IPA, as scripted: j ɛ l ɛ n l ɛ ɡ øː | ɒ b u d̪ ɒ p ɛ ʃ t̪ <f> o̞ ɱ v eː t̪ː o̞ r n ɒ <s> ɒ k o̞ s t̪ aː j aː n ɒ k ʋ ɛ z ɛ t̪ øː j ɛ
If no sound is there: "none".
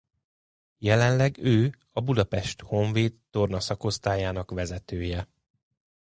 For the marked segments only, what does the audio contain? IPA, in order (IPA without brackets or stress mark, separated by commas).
h, s